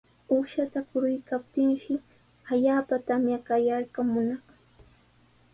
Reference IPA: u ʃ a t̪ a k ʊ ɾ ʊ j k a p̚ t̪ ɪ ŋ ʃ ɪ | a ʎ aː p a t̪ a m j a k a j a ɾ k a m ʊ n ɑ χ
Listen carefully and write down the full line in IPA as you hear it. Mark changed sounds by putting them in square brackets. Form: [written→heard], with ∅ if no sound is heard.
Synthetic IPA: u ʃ a t̪ a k ʊ ɾ ʊ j k a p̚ t̪ ɪ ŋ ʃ ɪ | a ʎ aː p a t̪ a m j a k a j a ɾ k a m ʊ n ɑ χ